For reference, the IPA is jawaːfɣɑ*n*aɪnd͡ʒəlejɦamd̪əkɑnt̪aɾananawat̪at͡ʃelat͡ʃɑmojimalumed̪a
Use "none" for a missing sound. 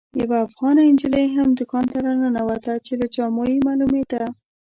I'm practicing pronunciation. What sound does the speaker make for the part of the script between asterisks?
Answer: n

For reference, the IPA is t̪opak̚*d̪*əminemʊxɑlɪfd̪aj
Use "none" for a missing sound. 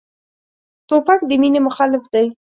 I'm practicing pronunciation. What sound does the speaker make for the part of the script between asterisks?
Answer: d̪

